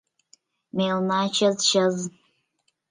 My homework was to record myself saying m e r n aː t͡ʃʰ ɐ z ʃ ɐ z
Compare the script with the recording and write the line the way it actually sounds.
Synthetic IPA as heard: m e l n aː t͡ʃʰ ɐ z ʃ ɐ z